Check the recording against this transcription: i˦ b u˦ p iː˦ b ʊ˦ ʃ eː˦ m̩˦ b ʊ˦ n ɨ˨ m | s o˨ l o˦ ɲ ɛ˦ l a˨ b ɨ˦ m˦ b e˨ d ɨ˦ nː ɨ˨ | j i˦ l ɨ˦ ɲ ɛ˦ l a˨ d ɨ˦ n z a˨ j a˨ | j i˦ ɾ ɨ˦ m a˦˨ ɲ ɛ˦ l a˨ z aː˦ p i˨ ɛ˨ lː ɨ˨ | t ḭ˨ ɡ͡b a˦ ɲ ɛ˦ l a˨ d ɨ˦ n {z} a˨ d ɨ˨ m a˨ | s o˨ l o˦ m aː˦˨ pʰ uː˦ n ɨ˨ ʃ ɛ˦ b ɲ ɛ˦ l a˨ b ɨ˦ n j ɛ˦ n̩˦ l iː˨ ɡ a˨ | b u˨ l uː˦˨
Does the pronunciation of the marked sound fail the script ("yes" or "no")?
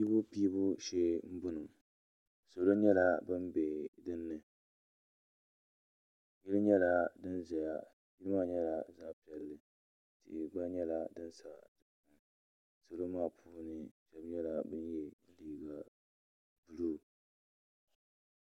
yes